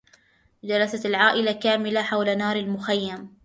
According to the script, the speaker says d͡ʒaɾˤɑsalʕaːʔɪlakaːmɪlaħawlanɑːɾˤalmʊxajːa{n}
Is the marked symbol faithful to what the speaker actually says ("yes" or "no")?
no